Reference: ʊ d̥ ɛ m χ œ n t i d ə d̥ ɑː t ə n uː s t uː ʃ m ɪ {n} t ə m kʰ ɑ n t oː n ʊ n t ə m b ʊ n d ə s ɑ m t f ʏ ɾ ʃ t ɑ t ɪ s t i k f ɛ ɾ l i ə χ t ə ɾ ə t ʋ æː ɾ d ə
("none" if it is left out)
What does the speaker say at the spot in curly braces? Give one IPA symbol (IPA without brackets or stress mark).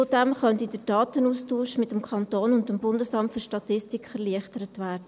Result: none